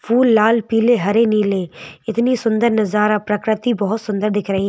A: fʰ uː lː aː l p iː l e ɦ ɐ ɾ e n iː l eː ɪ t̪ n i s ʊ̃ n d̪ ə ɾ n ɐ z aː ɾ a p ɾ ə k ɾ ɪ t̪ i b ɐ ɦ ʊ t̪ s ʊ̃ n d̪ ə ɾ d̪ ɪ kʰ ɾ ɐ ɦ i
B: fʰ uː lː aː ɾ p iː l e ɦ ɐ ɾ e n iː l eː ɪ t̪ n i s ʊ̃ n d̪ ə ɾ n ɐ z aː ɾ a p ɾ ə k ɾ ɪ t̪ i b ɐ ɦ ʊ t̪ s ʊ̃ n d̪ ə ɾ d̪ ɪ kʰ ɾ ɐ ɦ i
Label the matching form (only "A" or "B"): A